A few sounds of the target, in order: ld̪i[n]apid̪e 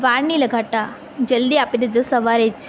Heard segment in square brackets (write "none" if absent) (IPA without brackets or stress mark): none